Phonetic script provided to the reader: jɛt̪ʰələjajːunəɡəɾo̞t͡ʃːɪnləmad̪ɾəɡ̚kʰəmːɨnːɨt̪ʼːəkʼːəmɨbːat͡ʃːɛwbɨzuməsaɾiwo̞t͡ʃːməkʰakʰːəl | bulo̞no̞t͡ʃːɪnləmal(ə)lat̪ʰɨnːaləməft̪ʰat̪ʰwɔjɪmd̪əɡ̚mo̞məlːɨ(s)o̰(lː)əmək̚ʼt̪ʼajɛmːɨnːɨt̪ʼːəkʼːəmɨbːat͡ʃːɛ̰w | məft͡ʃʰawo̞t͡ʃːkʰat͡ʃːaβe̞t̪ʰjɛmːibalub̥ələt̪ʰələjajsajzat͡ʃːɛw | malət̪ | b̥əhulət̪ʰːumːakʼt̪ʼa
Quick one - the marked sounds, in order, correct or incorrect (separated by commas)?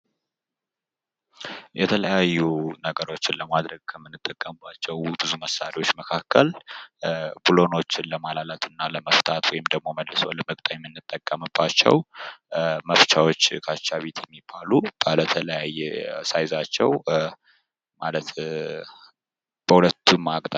incorrect, correct, incorrect